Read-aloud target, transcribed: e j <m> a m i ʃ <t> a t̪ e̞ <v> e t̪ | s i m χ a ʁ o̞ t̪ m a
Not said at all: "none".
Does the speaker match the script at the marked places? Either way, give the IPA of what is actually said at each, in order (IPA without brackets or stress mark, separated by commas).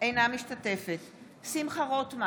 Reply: n, t, f